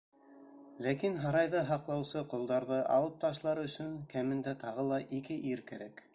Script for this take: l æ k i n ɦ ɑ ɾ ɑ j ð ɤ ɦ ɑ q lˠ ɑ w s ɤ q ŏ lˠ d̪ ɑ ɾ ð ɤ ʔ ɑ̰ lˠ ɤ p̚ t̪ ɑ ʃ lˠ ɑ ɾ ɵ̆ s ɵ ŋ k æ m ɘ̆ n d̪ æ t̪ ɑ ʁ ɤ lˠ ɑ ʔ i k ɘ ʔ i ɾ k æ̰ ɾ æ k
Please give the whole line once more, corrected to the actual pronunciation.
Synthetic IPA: l æ k i n ɦ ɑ ɾ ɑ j ð ɤ ɦ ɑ q lˠ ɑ w s ɤ q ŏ lˠ d̪ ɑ ɾ ð ɤ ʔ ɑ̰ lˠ ɤ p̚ t̪ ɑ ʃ lˠ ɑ ɾ ɵ̆ s ɵ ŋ k æ m ɘ̆ n d̪ æ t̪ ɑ ʁ ɤ lˠ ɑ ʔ i k ɘ ʔ i ɾ k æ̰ ɾ æ k